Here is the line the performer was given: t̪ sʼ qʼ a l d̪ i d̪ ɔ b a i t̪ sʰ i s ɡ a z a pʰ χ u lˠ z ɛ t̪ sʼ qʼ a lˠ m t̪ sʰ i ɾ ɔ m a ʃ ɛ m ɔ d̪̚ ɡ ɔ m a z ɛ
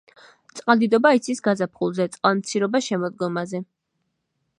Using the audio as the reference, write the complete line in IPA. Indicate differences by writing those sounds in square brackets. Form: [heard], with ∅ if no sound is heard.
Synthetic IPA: t̪ sʼ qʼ a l d̪ i d̪ ɔ b a i t̪ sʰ i s ɡ a z a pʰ χ u lˠ z ɛ t̪ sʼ qʼ a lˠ m t̪ sʰ i ɾ ɔ [b] a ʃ ɛ m ɔ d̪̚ ɡ ɔ m a z ɛ